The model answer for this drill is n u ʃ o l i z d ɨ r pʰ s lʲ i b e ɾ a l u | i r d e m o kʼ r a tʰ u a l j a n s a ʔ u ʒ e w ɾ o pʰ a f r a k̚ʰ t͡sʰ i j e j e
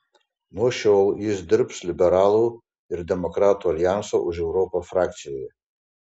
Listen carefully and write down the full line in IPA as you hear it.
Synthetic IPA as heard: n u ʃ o l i z d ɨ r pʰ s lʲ i b e ɾ a l u | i r d e m o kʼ r a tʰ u a l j a n s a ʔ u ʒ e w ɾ o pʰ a f r a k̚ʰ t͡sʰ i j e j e

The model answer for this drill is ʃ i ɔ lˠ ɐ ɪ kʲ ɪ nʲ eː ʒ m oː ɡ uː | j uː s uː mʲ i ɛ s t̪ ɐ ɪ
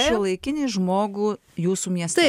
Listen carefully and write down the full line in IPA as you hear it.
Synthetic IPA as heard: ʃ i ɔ lˠ ɐ ɪ kʲ ɪ nʲ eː ʒ m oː ɡ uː | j uː s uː mʲ i ɛ s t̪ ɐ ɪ

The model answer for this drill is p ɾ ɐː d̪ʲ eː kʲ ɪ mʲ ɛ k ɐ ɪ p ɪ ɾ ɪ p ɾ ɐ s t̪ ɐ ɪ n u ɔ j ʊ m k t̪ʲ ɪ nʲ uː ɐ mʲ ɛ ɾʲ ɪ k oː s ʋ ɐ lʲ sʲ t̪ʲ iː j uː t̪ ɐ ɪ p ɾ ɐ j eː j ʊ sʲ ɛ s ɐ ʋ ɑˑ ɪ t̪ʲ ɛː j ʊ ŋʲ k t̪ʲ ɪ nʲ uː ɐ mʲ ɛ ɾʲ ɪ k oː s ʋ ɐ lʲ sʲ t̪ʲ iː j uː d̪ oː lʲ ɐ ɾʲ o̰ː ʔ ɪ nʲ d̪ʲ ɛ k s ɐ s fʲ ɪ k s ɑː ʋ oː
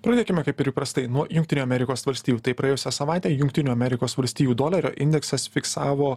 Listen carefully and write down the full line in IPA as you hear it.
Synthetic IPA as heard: p ɾ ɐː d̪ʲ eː kʲ ɪ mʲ ɛ k ɐ ɪ p ɪ ɾ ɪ p ɾ ɐ s t̪ ɐ ɪ n u ɔ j ʊ ŋ k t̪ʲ ɪ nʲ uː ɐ mʲ ɛ ɾʲ ɪ k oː s ʋ ɐ lʲ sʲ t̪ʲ iː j uː t̪ ɐ ɪ p ɾ ɐ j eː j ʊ sʲ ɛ s ɐ ʋ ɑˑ ɪ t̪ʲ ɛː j ʊ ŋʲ k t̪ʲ ɪ nʲ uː ɐ mʲ ɛ ɾʲ ɪ k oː s ʋ ɐ lʲ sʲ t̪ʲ iː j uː d̪ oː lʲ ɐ ɾʲ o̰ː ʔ ɪ nʲ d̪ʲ ɛ k s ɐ s fʲ ɪ k s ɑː ʋ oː

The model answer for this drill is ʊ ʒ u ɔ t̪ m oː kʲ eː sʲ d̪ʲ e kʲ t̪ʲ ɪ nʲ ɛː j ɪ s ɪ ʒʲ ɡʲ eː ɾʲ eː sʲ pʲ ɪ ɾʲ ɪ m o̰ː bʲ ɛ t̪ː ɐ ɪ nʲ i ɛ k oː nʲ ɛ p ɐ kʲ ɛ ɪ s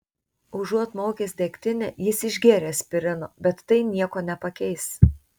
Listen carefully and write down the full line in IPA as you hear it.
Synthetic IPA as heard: ʊ ʒ u ɔ t̪ m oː kʲ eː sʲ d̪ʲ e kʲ t̪ʲ ɪ nʲ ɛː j ɪ s ɪ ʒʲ ɡʲ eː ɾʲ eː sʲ pʲ ɪ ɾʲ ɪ n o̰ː bʲ ɛ t̪ː ɐ ɪ nʲ i ɛ k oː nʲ ɛ p ɐ kʲ ɛ ɪ s

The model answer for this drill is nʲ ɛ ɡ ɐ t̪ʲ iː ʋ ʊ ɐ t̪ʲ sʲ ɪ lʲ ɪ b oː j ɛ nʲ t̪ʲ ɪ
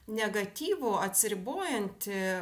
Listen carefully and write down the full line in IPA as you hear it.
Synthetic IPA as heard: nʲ ɛ ɡ ɐ t̪ʲ iː ʋ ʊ ɐ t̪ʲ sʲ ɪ ɾʲ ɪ b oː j ɛ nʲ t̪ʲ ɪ

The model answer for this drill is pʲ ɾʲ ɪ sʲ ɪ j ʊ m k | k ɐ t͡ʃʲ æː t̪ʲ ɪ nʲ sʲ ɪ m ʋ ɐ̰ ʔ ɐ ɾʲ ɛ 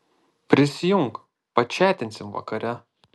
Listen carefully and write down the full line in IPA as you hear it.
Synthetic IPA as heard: pʲ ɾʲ ɪ sʲ ɪ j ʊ ŋ k | p ɐ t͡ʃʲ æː t̪ʲ ɪ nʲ sʲ ɪ m ʋ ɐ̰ k ɐ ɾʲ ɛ

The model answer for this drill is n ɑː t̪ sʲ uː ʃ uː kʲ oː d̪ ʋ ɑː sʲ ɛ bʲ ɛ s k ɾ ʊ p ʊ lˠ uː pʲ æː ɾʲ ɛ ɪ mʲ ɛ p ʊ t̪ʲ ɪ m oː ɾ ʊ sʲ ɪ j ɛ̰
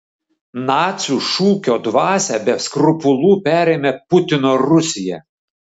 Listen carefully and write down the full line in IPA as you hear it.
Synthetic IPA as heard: n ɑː t̪ sʲ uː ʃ uː kʲ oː d̪ ʋ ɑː sʲ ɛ bʲ ɛ s k ɾ ʊ p ʊ lˠ uː pʲ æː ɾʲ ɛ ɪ mʲ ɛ p ʊ t̪ʲ ɪ n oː ɾ ʊ sʲ ɪ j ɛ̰

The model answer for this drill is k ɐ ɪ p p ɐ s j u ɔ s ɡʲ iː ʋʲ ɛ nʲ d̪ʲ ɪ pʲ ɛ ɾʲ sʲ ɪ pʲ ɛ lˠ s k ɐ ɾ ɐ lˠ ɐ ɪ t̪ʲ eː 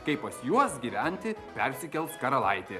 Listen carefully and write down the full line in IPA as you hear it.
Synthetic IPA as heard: k ɐ ɪ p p ɐ s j u ɔ s ɡʲ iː ʋʲ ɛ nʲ t̪ʲ ɪ pʲ ɛ ɾʲ sʲ ɪ kʲ ɛ lˠ s k ɐ ɾ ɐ lˠ ɐ ɪ t̪ʲ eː

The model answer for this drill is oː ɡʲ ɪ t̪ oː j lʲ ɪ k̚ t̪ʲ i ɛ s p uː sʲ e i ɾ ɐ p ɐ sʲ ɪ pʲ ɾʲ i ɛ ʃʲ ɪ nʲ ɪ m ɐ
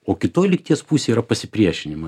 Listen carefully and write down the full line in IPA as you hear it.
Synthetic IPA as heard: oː kʲ ɪ t̪ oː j lʲ ɪ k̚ t̪ʲ i ɛ s p uː sʲ e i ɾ ɐ p ɐ sʲ ɪ pʲ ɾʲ i ɛ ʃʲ ɪ nʲ ɪ m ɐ

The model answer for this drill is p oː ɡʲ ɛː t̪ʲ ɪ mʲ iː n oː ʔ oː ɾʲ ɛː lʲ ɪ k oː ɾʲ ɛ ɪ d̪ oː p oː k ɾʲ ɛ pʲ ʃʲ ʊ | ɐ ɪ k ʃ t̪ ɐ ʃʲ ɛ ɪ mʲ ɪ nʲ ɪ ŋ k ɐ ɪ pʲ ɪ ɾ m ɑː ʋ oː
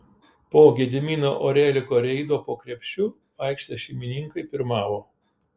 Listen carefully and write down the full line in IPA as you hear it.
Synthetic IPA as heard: p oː ɡʲ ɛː d̪ʲ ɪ mʲ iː n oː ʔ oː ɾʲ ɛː lʲ ɪ k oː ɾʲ ɛ ɪ d̪ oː p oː k ɾʲ ɛ pʲ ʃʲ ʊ | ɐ ɪ k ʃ t̪ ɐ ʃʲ ɛ ɪ mʲ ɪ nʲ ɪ ŋ k ɐ ɪ pʲ ɪ ɾ m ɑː ʋ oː

